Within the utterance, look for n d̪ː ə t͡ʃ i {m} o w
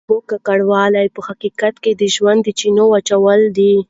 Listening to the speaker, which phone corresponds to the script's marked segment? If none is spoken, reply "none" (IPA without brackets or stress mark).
n